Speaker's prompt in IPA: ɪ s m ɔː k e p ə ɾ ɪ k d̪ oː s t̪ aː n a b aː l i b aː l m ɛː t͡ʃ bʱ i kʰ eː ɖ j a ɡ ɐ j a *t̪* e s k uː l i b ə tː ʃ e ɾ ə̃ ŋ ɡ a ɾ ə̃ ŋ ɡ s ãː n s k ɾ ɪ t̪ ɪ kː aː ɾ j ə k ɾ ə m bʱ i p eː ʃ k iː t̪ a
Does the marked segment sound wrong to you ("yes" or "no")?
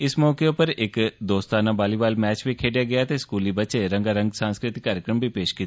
no